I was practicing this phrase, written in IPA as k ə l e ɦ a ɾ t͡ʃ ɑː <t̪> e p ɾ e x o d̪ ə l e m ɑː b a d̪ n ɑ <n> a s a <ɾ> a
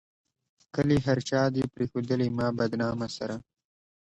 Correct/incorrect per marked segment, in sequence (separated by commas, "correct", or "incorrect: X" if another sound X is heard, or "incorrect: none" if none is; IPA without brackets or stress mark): incorrect: d̪, incorrect: m, correct